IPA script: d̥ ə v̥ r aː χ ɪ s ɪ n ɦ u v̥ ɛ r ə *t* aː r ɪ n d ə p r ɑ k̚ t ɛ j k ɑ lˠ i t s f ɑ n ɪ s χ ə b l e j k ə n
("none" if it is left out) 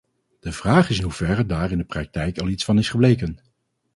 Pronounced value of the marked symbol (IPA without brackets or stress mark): d